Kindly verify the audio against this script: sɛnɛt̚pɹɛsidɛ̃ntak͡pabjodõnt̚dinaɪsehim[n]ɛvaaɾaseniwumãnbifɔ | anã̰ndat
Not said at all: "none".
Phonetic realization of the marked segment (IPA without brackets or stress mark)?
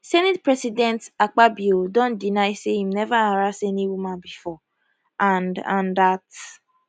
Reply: n